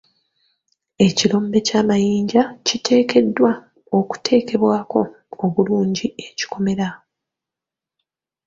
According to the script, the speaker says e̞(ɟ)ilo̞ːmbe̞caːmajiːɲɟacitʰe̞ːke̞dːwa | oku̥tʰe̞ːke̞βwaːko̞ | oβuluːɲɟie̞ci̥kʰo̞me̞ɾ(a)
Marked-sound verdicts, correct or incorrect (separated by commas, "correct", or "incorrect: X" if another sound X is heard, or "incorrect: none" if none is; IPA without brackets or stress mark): incorrect: c, correct